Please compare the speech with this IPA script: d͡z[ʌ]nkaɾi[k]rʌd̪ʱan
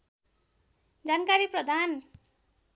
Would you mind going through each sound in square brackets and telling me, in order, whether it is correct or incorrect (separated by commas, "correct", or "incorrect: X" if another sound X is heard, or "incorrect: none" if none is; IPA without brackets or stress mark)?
incorrect: a, incorrect: p